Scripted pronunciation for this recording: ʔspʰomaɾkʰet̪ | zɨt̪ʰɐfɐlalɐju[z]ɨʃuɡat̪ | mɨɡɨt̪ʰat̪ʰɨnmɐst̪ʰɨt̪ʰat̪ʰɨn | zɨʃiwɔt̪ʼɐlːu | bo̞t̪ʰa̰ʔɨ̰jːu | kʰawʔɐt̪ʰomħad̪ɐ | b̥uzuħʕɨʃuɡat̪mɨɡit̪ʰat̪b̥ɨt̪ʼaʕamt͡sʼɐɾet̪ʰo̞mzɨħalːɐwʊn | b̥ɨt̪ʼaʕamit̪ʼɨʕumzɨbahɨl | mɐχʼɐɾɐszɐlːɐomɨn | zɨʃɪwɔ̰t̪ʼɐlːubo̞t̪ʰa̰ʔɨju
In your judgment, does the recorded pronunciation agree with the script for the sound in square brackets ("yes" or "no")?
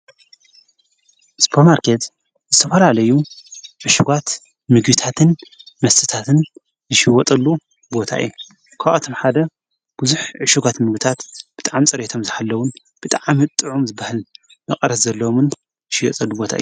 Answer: no